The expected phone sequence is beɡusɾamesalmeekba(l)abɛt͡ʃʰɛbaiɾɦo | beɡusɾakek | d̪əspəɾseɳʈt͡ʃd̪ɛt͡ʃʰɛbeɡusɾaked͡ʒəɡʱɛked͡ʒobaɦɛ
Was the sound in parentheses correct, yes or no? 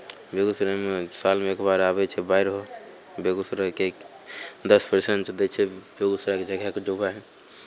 no